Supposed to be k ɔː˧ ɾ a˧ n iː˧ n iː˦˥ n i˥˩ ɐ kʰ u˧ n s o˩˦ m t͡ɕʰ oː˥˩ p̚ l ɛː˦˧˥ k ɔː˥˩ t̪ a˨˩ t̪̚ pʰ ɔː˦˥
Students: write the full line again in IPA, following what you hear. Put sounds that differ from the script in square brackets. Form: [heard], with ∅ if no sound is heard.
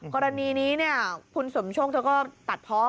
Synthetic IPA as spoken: k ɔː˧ ɾ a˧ n iː˧ n iː˦˥ n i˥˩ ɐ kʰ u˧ n s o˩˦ m t͡ɕʰ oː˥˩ [k̚] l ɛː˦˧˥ k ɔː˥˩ t̪ a˨˩ t̪̚ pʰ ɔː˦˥